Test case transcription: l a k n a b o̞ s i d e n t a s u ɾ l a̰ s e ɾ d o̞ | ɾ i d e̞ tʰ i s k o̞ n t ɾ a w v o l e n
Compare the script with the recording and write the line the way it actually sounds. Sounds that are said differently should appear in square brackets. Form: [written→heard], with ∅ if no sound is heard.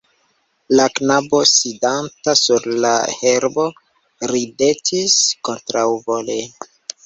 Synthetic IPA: l a k n a b o̞ s i d [e→a] n t a s u ɾ l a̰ [s→h] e ɾ [d→b] o̞ | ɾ i d e̞ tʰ i s k o̞ n t ɾ a w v o l e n